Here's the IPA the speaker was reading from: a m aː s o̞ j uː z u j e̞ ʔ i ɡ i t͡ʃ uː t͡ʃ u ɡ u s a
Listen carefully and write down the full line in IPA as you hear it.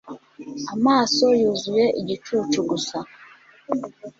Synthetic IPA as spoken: a m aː s o̞ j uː z u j e̞ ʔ i ɟ i t͡ʃ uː t͡ʃ u ɡ u s a